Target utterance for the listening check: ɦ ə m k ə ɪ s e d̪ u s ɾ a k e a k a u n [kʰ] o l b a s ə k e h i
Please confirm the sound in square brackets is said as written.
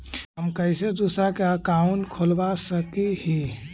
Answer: yes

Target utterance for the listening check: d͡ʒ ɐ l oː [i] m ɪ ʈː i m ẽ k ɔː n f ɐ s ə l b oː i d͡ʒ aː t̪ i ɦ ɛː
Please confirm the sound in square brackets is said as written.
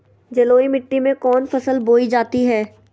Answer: yes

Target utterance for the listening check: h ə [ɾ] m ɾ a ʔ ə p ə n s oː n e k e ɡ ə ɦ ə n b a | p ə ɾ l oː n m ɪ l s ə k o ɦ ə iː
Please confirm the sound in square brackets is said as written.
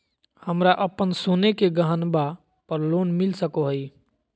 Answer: no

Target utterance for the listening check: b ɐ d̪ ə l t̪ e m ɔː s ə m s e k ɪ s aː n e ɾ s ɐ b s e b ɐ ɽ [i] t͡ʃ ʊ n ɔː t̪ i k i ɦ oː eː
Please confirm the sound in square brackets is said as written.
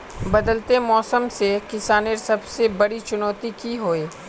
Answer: yes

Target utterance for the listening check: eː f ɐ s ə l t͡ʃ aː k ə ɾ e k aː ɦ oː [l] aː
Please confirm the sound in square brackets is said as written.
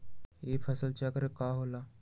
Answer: yes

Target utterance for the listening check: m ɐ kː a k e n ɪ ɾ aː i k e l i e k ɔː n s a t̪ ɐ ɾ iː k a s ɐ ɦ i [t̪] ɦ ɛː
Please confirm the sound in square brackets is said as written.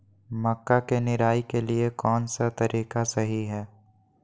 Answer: no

